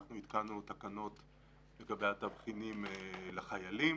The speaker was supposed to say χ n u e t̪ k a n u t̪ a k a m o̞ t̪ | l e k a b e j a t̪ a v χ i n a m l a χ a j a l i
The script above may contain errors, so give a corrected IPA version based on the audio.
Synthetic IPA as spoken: χ n u i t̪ k a n u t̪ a k a n o̞ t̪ | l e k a b e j a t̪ a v χ i n i m l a χ a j a l i